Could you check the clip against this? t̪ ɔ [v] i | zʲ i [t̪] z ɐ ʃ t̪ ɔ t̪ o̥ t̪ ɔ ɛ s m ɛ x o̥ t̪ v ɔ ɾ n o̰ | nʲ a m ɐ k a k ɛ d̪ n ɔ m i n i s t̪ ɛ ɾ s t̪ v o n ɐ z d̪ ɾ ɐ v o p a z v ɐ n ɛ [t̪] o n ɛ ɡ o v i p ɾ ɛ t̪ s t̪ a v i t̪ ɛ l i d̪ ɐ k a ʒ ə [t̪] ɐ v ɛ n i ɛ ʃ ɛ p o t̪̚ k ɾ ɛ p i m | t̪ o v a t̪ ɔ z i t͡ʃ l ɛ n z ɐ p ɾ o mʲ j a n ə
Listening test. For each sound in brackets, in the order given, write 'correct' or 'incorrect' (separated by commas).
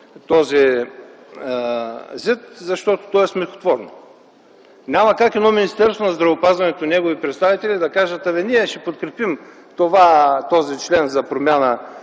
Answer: incorrect, correct, correct, correct